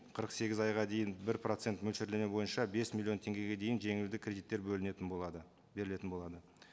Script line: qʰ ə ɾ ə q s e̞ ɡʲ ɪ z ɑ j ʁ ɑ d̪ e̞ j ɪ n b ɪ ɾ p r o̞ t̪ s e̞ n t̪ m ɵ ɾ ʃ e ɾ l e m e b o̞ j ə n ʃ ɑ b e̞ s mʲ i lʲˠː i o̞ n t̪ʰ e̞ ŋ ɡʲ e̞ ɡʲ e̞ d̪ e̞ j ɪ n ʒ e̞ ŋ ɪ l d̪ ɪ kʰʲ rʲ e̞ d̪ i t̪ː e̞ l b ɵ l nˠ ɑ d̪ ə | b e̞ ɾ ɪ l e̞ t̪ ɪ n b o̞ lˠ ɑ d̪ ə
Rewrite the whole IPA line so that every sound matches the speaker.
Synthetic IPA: qʰ ə ɾ ə q s e̞ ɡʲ ɪ z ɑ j ʁ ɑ d̪ e̞ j ɪ n b ɪ ɾ p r o̞ t̪ s e̞ n t̪ m ɵ l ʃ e ɾ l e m e b o̞ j ə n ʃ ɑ b e̞ s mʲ i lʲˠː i o̞ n t̪ʰ e̞ ŋ ɡʲ e̞ ɡʲ e̞ d̪ e̞ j ɪ n ʒ e̞ ŋ ɪ l d̪ ɪ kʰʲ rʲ e̞ d̪ i t̪ː e̞ ɾ b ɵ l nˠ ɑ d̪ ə | b e̞ ɾ ɪ l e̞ t̪ ɪ n b o̞ lˠ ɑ d̪ ə